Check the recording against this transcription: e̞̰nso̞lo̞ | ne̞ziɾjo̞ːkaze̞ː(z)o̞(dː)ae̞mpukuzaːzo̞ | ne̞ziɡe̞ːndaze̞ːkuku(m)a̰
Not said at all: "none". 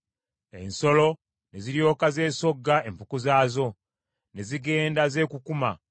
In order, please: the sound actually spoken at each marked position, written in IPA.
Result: s, ɡː, m

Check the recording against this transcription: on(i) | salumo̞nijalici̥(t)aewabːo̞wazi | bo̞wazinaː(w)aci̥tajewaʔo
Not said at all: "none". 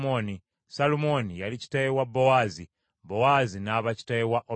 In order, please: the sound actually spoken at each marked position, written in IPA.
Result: i, t, β

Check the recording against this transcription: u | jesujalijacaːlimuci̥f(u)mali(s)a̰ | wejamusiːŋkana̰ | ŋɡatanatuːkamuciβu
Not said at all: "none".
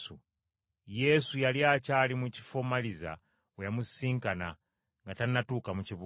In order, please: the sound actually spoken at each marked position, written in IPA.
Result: o, z

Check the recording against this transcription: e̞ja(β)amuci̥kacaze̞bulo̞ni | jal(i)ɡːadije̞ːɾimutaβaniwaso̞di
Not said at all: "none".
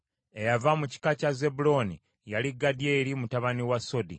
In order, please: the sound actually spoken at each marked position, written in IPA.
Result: v, i

